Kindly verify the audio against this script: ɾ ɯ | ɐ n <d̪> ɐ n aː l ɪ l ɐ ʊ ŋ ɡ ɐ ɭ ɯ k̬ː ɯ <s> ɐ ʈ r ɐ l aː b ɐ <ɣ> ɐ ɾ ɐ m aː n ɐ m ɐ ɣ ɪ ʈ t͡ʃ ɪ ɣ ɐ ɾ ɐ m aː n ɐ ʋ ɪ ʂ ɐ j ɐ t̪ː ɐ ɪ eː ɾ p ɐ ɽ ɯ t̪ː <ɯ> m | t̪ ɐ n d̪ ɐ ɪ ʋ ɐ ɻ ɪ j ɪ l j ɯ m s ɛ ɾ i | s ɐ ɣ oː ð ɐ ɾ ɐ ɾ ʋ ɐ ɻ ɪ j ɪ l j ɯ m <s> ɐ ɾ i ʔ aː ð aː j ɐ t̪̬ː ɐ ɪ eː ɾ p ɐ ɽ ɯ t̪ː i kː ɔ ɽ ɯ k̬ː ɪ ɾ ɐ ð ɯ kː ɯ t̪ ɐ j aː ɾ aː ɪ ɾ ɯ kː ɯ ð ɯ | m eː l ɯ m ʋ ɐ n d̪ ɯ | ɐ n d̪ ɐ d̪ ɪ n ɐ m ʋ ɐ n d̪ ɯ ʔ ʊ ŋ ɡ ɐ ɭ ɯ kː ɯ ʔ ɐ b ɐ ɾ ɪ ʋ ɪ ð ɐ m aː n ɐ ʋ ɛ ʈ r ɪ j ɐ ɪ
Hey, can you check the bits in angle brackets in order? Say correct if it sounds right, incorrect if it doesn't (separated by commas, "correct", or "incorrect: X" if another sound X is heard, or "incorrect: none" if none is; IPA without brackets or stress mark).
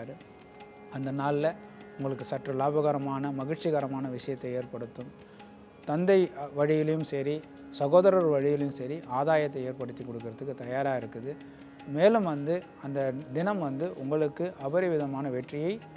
correct, correct, correct, correct, correct